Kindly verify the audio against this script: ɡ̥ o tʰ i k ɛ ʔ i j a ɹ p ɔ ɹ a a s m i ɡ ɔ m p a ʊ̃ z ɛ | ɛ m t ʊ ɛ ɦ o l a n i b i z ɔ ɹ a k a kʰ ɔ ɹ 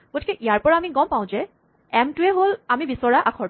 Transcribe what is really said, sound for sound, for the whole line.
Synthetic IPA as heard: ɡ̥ o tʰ i k ɛ ʔ i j a ɹ p ɔ ɹ a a m i ɡ ɔ m p a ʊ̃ z ɛ | ɛ m t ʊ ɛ ɦ o l a m i b i s ɔ ɹ a ʔ a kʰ ɔ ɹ